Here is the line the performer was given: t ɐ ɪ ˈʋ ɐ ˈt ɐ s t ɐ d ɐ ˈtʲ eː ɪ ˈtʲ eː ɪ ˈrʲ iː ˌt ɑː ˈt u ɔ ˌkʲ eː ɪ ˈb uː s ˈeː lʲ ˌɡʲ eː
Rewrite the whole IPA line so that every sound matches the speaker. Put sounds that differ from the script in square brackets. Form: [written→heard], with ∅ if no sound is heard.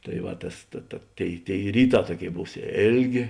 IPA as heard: t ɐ ɪ ˈʋ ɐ ˈt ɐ s t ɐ [d→t] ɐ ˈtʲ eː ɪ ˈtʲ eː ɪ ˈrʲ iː ˌt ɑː ˈt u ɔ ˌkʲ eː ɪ ˈb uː s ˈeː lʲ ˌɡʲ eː